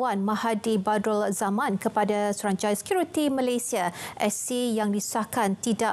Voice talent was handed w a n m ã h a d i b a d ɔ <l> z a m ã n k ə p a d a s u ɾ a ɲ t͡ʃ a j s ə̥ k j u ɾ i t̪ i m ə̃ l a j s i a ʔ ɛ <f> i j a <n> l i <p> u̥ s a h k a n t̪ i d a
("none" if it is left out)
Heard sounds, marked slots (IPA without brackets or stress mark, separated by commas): l, s, ŋ, none